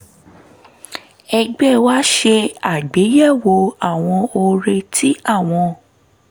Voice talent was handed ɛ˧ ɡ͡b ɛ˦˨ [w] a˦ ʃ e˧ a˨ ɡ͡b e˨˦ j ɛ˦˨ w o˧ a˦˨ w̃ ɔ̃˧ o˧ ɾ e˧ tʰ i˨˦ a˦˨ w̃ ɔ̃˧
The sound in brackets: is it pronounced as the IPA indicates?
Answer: yes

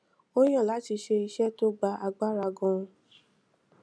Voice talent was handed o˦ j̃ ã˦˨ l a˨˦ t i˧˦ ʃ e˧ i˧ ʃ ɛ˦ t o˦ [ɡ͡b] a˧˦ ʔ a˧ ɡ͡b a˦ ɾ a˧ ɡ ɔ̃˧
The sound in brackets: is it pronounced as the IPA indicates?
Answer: yes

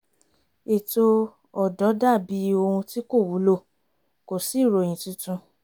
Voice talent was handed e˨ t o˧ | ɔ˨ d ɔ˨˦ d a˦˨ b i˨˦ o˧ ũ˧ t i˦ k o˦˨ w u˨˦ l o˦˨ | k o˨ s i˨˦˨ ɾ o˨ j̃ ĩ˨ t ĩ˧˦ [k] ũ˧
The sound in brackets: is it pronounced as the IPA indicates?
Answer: no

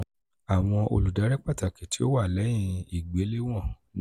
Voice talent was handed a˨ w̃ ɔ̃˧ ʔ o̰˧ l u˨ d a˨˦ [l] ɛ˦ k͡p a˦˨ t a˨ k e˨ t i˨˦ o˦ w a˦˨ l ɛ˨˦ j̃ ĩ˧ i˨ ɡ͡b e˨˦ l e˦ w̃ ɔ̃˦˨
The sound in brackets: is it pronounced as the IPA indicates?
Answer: no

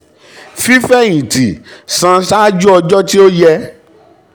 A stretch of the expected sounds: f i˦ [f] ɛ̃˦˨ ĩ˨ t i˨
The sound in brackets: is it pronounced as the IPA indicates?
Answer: yes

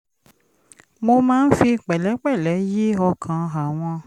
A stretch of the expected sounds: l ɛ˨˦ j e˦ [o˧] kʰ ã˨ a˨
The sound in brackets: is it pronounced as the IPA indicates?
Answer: no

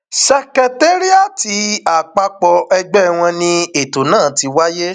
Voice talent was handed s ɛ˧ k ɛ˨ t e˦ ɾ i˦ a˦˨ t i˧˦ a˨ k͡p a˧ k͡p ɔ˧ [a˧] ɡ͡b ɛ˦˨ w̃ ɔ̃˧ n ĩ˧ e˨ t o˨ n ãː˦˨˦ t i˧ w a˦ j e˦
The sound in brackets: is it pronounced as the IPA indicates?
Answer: no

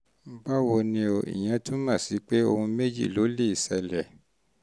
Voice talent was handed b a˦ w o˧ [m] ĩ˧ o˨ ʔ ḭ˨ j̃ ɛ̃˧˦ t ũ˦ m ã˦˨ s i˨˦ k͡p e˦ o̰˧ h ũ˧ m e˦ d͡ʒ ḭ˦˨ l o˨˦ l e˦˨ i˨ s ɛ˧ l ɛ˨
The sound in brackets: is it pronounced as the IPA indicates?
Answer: no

